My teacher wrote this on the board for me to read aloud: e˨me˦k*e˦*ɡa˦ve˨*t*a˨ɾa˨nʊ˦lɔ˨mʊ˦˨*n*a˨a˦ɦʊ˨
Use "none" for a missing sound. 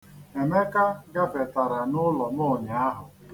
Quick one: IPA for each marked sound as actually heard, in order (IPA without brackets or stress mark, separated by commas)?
a˦, t, ɲ